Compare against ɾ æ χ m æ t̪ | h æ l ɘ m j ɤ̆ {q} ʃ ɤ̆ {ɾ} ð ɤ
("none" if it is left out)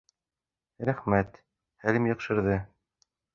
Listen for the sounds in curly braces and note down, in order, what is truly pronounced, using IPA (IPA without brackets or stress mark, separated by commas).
q, ɾ